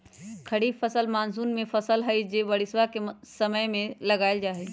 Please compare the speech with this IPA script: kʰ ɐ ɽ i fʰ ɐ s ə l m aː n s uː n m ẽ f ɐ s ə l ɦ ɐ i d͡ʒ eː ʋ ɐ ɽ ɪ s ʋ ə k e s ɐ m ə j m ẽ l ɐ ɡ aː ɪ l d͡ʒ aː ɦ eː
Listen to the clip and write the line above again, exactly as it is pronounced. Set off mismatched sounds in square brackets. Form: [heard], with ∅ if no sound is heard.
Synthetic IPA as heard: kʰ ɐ ɽ i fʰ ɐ s ə l m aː n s uː n m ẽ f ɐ s ə l ɦ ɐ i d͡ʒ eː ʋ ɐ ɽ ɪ s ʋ [a] k e s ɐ m ə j m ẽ l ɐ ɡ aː ɪ l d͡ʒ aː ɦ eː